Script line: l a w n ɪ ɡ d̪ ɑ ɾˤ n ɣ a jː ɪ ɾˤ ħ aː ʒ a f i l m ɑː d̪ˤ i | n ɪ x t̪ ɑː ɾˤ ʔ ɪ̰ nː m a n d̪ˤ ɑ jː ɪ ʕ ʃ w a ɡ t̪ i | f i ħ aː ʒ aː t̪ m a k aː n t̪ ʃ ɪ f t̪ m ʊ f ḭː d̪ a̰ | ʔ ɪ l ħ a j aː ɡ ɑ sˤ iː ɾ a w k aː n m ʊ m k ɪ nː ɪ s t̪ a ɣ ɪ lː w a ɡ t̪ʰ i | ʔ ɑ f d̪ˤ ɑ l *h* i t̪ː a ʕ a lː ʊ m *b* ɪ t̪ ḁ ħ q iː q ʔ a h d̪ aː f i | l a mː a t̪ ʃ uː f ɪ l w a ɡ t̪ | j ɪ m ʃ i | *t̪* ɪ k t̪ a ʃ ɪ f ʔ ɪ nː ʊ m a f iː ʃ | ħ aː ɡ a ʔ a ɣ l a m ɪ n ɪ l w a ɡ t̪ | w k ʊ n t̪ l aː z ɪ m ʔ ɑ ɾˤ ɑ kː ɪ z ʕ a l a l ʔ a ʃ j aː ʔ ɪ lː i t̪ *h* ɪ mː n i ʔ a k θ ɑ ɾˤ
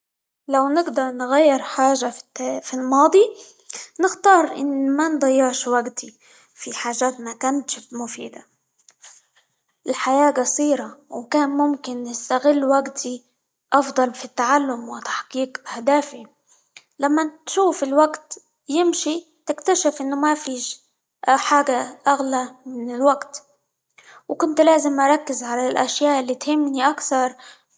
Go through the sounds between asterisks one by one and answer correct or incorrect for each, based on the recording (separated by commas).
incorrect, incorrect, correct, correct